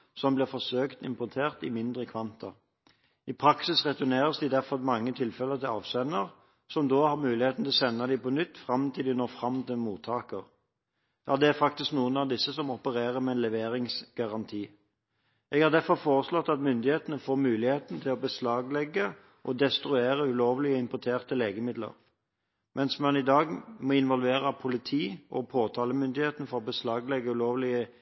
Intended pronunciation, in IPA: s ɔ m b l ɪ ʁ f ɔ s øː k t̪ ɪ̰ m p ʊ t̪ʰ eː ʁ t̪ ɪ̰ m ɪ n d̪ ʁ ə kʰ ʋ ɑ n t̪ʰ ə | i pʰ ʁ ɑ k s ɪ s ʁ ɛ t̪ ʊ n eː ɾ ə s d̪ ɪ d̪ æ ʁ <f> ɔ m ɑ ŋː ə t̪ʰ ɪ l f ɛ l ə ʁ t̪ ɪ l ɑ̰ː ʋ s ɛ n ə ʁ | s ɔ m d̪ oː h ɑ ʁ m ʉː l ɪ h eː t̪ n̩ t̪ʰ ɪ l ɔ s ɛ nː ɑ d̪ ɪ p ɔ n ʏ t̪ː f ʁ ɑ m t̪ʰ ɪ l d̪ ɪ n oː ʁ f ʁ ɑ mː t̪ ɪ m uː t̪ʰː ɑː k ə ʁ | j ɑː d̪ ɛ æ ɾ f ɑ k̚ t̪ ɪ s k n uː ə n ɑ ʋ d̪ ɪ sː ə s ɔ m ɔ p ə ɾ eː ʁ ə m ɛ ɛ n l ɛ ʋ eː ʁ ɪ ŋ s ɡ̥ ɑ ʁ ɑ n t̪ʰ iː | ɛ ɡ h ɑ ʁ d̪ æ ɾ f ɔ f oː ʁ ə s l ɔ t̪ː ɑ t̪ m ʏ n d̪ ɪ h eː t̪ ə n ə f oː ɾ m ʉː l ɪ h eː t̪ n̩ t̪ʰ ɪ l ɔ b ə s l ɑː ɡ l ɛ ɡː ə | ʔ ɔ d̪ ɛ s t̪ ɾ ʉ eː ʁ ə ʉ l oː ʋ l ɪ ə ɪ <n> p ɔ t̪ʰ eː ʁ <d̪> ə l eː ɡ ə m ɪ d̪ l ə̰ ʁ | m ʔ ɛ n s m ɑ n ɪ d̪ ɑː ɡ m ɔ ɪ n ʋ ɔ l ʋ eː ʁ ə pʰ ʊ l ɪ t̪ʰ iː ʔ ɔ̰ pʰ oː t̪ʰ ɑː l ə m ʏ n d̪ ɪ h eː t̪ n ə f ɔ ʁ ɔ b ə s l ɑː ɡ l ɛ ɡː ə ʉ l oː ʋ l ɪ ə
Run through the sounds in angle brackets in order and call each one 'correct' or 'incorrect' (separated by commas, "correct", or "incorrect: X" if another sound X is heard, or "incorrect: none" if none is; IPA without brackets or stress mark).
correct, incorrect: m, incorrect: t̪